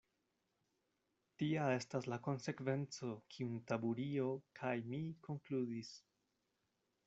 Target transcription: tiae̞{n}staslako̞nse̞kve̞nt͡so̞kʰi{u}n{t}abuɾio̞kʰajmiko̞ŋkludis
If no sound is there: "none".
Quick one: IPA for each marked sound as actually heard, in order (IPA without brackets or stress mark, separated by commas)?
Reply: none, u, t